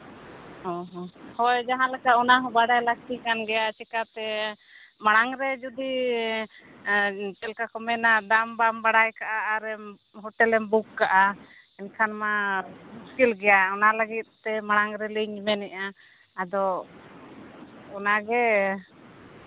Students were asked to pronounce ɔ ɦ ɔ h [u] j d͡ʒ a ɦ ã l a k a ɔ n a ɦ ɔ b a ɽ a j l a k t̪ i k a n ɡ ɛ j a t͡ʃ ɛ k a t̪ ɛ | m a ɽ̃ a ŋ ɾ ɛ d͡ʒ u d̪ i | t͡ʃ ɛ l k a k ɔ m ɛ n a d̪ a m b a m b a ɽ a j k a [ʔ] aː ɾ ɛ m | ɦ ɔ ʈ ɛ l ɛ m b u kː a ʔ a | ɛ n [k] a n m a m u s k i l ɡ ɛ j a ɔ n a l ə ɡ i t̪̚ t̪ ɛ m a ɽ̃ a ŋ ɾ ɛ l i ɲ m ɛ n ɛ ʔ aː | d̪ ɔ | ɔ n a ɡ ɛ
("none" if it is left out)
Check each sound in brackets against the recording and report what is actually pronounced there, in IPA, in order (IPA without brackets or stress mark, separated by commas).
ɔ, ʔ, kʰ